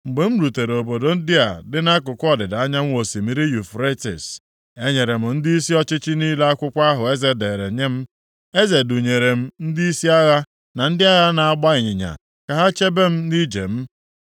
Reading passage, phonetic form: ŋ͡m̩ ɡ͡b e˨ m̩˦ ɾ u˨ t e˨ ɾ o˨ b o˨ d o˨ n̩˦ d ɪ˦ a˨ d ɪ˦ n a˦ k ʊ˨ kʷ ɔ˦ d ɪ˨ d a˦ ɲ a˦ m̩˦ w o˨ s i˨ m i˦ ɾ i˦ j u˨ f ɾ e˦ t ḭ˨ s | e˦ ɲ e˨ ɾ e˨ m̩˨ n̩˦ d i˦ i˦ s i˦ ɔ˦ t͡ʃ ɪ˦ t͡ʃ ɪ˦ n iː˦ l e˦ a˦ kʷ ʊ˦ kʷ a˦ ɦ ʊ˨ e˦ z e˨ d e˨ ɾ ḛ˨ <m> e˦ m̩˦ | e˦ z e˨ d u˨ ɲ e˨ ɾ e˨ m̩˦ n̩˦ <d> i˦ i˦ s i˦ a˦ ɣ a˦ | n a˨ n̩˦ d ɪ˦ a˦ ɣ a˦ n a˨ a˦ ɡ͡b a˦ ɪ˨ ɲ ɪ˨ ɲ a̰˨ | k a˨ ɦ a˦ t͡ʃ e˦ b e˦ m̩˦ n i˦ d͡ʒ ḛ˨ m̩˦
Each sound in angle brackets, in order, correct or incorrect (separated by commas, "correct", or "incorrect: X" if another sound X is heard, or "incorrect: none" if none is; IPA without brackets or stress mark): incorrect: ɲ, correct